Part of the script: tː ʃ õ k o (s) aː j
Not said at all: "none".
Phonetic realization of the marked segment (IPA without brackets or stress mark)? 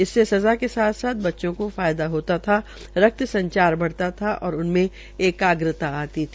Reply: f